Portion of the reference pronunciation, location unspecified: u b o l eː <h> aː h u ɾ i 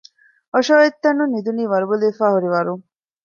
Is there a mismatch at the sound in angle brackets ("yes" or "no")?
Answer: yes